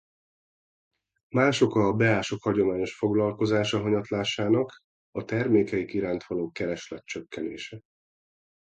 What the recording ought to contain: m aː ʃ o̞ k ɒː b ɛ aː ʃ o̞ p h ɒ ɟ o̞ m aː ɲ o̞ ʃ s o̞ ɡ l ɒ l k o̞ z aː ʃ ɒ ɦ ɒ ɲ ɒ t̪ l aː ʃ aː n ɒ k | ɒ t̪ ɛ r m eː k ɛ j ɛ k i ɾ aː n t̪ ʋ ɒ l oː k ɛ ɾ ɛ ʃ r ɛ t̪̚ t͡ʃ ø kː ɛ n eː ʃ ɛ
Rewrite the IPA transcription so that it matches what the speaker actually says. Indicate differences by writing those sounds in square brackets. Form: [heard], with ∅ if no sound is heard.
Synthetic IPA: m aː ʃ o̞ k ɒː b ɛ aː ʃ o̞ [k] h ɒ ɟ o̞ m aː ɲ o̞ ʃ [f] o̞ ɡ l ɒ l k o̞ z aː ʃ ɒ ɦ ɒ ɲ ɒ t̪ l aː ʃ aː n ɒ k | ɒ t̪ ɛ r m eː k ɛ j [i] k i ɾ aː n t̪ ʋ ɒ l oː k ɛ ɾ ɛ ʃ [l] ɛ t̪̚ t͡ʃ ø kː ɛ n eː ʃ ɛ